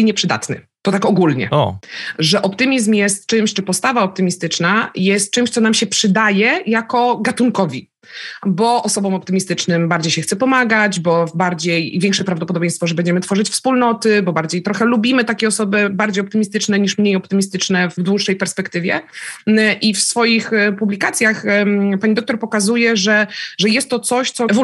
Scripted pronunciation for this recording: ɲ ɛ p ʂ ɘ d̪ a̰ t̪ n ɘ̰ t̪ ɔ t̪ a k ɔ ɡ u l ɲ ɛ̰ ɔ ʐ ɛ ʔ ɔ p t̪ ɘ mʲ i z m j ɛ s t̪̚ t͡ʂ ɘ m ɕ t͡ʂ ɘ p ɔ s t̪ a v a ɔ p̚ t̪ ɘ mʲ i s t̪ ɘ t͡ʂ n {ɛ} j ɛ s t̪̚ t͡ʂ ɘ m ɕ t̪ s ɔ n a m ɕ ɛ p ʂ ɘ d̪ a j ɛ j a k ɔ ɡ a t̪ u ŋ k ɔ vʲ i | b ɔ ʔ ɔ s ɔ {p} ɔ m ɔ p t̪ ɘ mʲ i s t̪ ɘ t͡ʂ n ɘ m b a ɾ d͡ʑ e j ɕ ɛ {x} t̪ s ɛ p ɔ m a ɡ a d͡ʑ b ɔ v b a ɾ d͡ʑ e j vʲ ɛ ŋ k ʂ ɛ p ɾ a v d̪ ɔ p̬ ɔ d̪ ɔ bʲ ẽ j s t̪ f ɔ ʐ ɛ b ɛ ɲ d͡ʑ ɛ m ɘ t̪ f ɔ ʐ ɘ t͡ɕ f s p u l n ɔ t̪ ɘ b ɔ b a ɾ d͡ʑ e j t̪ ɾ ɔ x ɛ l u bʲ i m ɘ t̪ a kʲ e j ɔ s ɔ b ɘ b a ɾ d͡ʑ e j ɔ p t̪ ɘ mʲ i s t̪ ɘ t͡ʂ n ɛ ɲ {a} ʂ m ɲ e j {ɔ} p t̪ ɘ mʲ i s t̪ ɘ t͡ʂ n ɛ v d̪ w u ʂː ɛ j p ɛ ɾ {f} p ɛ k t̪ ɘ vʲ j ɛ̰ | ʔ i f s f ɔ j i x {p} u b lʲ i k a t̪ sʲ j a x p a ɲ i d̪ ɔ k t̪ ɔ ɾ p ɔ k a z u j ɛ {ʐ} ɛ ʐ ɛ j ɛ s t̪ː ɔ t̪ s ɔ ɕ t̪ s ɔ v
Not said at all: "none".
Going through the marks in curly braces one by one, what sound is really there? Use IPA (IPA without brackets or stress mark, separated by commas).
a, b, x, i, ɔ, s, p, ʐ